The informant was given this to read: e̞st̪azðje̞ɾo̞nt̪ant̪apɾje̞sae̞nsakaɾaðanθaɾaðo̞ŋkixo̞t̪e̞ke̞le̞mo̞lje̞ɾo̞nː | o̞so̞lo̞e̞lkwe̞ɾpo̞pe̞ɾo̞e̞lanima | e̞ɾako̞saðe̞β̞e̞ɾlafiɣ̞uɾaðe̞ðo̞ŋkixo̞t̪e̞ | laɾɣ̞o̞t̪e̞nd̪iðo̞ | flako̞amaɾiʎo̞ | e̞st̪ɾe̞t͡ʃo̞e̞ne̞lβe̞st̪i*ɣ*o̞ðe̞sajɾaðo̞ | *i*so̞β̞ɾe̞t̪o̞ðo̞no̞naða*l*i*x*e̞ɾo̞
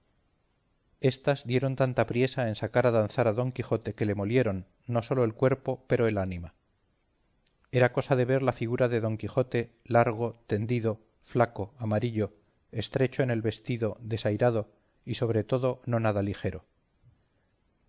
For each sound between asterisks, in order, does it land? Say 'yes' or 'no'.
no, yes, yes, yes

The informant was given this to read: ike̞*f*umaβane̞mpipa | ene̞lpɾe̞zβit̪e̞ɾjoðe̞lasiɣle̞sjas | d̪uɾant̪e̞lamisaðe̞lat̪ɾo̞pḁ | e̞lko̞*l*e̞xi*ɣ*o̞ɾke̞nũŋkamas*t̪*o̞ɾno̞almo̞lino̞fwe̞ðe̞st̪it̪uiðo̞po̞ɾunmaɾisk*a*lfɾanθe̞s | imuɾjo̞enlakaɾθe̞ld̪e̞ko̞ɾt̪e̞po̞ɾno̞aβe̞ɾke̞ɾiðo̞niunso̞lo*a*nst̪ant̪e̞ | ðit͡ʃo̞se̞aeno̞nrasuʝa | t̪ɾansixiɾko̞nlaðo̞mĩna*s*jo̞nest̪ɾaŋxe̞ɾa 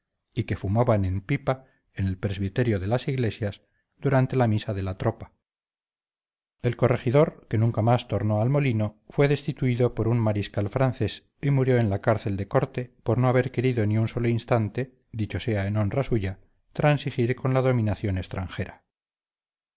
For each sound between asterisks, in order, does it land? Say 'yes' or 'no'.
yes, no, no, yes, yes, no, no

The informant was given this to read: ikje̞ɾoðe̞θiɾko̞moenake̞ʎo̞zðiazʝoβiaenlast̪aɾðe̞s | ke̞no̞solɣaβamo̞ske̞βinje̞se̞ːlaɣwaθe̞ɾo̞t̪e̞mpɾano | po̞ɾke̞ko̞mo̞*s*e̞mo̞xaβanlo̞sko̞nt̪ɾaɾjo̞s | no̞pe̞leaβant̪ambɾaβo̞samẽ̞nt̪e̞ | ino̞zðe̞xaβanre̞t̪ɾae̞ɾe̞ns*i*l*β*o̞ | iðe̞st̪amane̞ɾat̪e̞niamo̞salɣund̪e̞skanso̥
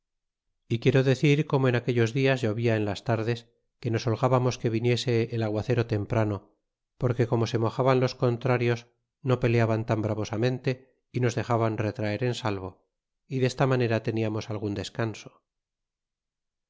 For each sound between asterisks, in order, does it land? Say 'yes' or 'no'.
yes, no, yes

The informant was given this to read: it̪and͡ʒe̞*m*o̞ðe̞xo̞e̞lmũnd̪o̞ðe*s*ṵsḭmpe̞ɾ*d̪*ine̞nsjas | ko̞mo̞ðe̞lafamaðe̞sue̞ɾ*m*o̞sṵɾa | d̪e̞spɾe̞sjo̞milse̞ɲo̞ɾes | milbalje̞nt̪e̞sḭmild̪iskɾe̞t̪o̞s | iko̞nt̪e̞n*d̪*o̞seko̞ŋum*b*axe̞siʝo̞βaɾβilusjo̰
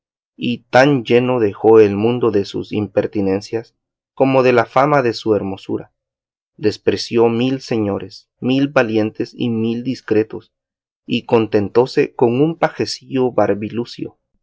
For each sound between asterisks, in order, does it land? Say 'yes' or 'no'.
no, yes, no, yes, no, no

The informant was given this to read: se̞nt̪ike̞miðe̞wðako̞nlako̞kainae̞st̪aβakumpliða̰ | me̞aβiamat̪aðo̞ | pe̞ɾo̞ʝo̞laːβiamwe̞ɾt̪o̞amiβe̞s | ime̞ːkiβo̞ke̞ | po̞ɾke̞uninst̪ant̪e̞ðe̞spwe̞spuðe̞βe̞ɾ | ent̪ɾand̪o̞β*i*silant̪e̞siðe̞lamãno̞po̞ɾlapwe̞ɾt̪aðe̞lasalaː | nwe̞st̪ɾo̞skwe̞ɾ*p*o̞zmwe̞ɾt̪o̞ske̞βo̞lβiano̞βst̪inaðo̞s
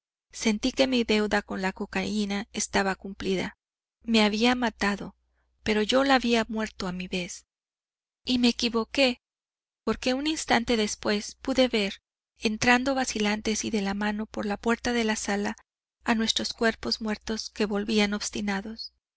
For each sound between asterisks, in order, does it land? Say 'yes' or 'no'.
no, yes

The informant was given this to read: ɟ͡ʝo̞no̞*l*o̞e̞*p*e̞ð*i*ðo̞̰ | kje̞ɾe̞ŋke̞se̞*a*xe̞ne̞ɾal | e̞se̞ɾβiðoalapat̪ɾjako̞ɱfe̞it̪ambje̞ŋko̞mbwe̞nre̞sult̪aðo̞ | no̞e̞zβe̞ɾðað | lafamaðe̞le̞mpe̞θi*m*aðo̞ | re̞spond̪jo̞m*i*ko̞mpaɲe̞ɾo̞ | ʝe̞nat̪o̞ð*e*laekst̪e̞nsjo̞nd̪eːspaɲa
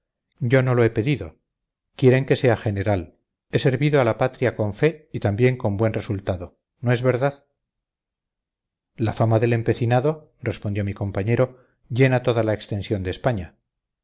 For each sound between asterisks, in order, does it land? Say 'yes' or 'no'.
yes, yes, yes, yes, no, yes, no

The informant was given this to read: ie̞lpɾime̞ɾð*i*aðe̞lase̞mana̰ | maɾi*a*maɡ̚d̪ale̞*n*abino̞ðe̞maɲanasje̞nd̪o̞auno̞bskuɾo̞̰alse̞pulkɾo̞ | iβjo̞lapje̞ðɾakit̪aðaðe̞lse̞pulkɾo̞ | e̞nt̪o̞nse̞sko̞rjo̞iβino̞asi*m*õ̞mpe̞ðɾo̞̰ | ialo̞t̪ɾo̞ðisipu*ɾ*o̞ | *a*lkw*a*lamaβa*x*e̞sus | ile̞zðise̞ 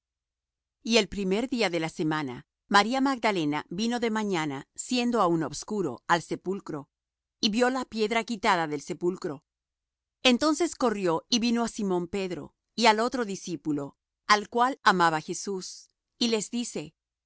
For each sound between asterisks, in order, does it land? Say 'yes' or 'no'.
yes, yes, yes, yes, no, yes, yes, yes

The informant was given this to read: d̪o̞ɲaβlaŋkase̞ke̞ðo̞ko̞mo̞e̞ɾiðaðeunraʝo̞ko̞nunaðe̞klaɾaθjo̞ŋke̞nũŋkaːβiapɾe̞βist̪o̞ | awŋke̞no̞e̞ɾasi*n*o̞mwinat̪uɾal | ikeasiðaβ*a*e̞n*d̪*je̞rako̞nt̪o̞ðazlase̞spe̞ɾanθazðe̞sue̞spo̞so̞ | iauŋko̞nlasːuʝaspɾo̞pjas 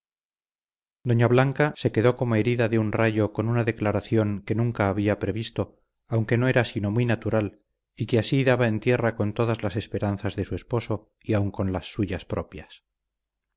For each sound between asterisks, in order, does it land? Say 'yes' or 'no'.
yes, yes, no

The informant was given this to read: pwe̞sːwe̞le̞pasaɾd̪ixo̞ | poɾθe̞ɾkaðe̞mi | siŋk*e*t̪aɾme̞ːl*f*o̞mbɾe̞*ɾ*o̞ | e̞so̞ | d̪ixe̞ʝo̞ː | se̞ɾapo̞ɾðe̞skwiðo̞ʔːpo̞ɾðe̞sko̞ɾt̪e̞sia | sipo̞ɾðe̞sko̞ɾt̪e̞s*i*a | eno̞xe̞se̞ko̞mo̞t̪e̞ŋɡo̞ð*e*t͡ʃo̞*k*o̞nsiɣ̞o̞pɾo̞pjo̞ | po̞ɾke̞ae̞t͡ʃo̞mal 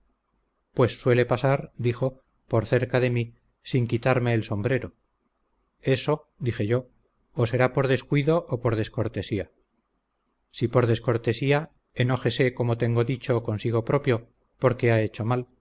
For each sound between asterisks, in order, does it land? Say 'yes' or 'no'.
no, no, yes, yes, no, yes

